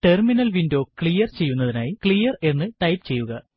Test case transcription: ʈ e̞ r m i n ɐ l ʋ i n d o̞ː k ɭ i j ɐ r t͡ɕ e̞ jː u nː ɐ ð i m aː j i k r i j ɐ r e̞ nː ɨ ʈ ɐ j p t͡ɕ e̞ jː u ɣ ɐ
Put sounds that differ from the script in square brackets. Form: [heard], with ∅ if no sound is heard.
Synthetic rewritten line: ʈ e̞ r m i n ɐ l ʋ i n d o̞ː k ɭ i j ɐ r t͡ɕ e̞ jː u nː ɐ ð i [n] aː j i k [ɭ] i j ɐ r e̞ nː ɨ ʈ ɐ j p t͡ɕ e̞ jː u ɣ ɐ

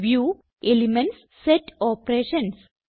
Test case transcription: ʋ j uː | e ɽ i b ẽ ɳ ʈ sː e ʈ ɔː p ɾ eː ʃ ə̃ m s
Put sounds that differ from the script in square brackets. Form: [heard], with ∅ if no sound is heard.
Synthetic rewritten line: ʋ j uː | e [l] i [m] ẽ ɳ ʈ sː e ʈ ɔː p ɾ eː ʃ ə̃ [n] s

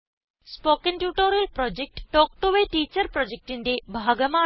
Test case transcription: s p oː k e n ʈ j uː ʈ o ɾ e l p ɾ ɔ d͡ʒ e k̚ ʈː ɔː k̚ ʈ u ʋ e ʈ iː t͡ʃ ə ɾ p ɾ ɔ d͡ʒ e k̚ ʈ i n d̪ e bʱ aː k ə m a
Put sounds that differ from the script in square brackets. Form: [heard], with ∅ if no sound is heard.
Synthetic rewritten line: s p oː k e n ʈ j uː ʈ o ɾ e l p ɾ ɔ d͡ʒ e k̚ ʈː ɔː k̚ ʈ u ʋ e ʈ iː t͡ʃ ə ɾ p ɾ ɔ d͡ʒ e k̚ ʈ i n d̪ e bʱ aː [ɡ] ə m a

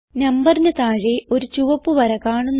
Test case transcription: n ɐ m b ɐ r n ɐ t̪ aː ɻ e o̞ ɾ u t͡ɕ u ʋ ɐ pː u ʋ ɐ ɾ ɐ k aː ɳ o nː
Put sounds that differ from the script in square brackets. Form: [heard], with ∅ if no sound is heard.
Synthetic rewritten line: n ɐ m b ɐ r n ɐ t̪ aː ɻ e o̞ ɾ u t͡ɕ u ʋ ɐ pː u ʋ ɐ ɾ ɐ k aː ɳ [u] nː

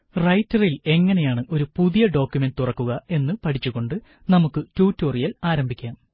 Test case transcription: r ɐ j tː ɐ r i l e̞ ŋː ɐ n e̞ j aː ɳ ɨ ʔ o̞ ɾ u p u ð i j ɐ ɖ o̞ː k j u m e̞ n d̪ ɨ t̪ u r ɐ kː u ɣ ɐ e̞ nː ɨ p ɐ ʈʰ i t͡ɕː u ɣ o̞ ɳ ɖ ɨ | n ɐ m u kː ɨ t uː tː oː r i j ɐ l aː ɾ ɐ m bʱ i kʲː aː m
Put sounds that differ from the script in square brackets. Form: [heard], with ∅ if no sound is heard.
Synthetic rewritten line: r ɐ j tː ɐ r i l e̞ ŋː ɐ n e̞ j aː ɳ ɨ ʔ o̞ ɾ u p u ð i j ɐ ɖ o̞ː k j u m e̞ n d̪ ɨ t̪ u r ɐ kː u ɣ ɐ e̞ nː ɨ p ɐ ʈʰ i t͡ɕː u ɣ o̞ ɳ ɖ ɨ | n ɐ m u kː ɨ t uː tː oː r i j ɐ l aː ɾ ɐ m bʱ i kʲː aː m

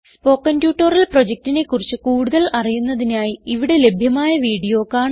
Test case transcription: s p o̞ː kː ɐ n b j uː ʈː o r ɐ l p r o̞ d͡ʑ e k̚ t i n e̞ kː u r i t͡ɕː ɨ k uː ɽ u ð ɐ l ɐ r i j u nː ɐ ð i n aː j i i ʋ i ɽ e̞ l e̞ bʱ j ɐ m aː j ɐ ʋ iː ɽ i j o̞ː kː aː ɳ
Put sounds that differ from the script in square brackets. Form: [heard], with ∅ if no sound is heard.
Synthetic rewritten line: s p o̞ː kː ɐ n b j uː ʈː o r ɐ l p r o̞ d͡ʑ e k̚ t i n e̞ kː u r i t͡ɕː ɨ k uː ɽ u ð ɐ l ɐ r i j u nː ɐ ð i n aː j i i ʋ i ɽ e̞ l e̞ bʱ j ɐ m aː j ɐ ʋ iː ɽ i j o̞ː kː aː ɳ

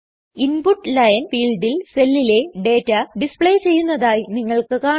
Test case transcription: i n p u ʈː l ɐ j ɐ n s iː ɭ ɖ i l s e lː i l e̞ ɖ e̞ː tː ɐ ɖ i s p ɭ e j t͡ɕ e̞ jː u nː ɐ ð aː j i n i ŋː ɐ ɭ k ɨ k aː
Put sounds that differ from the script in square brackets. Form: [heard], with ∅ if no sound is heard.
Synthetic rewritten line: i n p u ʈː l ɐ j ɐ n [f] iː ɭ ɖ i l s e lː i l e̞ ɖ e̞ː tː ɐ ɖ i s p ɭ e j t͡ɕ e̞ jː u nː ɐ ð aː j i n i ŋː ɐ ɭ k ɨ k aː

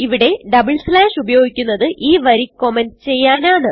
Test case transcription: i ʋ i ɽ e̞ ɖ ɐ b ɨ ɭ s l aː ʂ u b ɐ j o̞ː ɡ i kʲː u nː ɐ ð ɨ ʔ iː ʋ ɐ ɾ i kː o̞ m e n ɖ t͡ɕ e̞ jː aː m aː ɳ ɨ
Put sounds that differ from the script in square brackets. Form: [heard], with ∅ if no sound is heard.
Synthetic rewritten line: i ʋ i ɽ e̞ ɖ ɐ b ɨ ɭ s l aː ʂ u b ɐ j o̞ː ɡ i kʲː u nː ɐ ð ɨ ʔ iː ʋ ɐ ɾ i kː o̞ m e n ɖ t͡ɕ e̞ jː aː [n] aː ɳ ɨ

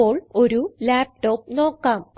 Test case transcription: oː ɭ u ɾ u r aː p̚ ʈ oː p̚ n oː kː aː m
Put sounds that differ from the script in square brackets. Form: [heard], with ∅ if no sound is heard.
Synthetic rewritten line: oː ɭ [o] ɾ u [l] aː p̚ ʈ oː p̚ n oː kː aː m

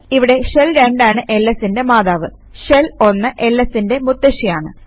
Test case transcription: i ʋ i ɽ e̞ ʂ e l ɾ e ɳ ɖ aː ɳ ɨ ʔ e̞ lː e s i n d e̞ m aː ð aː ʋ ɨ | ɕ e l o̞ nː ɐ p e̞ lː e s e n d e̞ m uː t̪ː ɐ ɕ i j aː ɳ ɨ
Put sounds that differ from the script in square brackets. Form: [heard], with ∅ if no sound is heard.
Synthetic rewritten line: i ʋ i ɽ e̞ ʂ e l ɾ e ɳ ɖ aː ɳ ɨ ʔ e̞ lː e s i n d e̞ m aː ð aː ʋ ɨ | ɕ e l o̞ nː ɐ [ʔ] e̞ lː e s [i] n d e̞ m [u] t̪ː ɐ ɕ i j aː ɳ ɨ

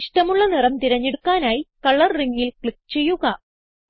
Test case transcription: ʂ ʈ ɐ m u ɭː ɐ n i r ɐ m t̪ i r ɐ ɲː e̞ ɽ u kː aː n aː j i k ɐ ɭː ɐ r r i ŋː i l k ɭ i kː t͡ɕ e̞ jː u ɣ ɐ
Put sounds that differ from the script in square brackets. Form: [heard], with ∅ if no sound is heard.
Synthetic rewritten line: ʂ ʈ ɐ m u ɭː ɐ n i r ɐ m t̪ i [ɾ] ɐ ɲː e̞ ɽ u kː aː n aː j i k ɐ ɭː ɐ r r i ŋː i l k ɭ i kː t͡ɕ e̞ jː u ɣ ɐ

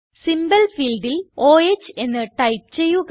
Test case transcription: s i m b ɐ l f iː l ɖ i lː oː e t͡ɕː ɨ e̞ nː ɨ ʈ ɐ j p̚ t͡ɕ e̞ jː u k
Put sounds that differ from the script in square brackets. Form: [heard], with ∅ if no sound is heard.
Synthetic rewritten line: s i m b ɐ l f iː l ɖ i [l] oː e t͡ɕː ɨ e̞ nː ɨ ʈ ɐ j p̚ t͡ɕ e̞ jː u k

